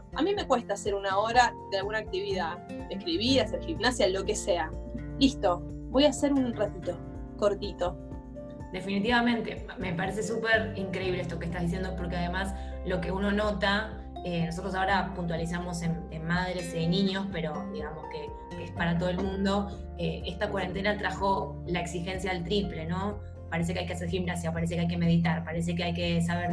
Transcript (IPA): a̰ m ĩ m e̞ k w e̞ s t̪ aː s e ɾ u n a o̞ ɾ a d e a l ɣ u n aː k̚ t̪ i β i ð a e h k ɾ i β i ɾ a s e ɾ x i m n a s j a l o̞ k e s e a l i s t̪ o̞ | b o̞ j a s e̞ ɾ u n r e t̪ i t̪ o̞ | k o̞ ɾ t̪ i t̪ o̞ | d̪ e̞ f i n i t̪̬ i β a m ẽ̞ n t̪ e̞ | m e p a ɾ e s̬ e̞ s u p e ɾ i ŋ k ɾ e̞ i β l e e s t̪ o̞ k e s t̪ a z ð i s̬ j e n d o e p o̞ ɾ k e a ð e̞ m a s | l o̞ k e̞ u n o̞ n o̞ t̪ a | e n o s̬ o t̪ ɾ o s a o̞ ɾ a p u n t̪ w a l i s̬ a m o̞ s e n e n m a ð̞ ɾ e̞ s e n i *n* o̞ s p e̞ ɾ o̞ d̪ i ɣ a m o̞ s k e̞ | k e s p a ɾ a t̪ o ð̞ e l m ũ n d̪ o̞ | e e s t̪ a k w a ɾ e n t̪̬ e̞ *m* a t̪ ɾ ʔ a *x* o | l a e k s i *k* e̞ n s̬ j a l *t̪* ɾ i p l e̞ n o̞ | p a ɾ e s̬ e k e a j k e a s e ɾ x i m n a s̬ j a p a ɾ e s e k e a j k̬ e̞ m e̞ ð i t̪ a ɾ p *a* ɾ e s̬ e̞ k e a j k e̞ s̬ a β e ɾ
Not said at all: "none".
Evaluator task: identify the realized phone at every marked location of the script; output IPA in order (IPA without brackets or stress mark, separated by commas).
ɲ, n, x, x, t̪, a